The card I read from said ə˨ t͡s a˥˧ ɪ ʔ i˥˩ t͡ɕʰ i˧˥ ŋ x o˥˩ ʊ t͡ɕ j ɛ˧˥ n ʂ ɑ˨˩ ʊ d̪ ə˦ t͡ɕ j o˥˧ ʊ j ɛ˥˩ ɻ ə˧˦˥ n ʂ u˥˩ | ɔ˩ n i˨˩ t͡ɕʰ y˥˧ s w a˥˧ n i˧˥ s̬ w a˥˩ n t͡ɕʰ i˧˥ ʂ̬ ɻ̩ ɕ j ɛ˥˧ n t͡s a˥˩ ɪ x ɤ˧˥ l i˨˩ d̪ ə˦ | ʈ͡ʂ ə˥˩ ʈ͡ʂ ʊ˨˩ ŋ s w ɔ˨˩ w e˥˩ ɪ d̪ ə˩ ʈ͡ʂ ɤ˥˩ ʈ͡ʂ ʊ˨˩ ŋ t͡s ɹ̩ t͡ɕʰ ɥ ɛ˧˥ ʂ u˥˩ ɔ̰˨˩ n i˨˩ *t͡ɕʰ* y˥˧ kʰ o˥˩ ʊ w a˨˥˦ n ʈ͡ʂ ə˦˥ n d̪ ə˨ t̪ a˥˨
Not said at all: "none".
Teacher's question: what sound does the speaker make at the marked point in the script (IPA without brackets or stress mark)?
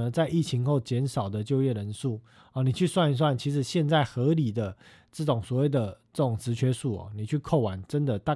t͡ɕʰ